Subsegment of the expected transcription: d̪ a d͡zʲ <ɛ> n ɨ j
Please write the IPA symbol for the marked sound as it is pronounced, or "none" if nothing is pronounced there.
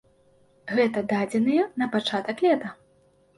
ɛ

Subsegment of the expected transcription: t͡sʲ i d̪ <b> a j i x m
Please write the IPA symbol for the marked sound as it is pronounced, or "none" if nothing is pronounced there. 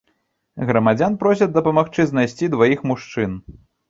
v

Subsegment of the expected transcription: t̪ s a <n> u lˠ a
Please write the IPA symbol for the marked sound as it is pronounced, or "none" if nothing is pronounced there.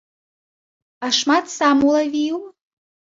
m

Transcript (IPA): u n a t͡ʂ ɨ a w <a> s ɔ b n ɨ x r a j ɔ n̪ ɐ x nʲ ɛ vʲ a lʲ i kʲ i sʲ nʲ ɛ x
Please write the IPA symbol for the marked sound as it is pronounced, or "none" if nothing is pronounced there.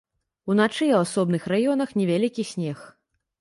a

